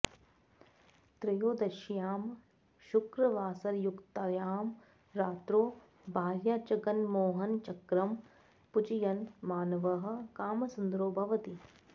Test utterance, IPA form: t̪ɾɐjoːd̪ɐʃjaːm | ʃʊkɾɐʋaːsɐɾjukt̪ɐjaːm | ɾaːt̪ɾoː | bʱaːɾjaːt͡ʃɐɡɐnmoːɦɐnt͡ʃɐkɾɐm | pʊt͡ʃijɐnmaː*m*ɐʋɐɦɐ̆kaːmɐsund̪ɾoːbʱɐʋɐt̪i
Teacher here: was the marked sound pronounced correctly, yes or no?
no